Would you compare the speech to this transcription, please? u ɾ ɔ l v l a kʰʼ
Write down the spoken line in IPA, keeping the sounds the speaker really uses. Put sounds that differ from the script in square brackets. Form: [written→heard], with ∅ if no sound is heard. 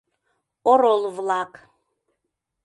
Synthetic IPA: [u→ɔ] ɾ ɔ l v l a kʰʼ